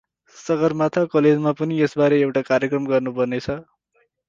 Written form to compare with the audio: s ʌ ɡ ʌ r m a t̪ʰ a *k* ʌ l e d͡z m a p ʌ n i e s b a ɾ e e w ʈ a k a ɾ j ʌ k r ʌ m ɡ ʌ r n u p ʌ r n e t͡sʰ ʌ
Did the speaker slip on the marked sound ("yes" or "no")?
no